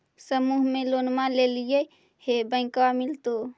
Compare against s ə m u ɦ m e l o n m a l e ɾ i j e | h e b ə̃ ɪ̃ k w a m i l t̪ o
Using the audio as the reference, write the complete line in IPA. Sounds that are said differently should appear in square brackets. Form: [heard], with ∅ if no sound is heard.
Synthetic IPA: s ə m u ɦ m e l o n m a l e [l] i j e | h e b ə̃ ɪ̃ k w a m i l t̪ o